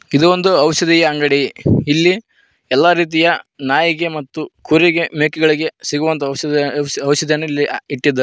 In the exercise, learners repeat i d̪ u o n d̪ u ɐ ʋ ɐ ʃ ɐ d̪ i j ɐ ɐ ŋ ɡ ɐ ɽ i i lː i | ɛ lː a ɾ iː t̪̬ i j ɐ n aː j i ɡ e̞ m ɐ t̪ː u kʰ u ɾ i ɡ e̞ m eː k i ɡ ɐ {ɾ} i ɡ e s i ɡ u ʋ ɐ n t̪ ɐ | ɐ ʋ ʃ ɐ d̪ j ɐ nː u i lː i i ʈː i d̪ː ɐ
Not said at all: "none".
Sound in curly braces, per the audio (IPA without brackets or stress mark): ɭ